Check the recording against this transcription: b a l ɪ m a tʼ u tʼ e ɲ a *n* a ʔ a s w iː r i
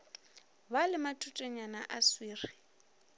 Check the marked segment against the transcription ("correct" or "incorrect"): correct